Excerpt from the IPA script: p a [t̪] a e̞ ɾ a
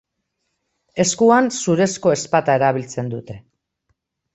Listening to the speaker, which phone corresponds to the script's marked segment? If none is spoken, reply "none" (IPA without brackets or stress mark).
t̪